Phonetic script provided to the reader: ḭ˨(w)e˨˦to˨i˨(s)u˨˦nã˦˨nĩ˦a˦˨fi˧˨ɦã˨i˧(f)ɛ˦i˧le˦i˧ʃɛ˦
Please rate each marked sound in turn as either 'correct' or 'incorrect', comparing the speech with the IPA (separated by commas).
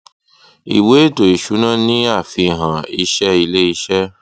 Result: correct, incorrect, incorrect